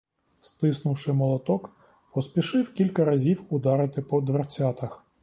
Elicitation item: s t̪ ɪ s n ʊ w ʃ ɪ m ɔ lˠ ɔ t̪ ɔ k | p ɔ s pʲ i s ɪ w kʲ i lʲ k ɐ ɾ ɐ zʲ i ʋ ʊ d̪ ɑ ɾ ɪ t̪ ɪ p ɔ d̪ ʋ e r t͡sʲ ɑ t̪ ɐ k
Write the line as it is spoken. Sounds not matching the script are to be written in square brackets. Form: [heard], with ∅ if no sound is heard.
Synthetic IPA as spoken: s t̪ ɪ s n ʊ w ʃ ɪ m ɔ lˠ ɔ t̪ ɔ k | p ɔ s pʲ i [ʃ] ɪ w kʲ i lʲ k ɐ ɾ ɐ zʲ i [w] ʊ d̪ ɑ ɾ ɪ t̪ ɪ p ɔ d̪ ʋ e r t͡sʲ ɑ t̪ ɐ [x]